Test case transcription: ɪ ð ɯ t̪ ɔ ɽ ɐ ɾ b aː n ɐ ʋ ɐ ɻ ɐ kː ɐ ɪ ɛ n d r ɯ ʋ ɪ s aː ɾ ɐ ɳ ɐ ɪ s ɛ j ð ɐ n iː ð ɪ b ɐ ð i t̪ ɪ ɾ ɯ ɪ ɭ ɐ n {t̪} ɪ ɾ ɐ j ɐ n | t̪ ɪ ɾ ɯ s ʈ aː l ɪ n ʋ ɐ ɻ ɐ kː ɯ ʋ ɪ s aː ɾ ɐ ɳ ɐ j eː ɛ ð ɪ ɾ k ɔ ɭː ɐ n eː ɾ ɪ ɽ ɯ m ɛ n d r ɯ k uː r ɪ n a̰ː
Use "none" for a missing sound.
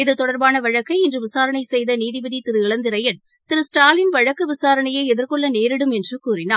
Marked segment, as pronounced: d̪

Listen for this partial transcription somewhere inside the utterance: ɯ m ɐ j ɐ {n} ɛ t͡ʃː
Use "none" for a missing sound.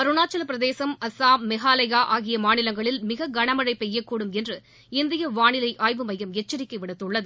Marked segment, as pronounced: m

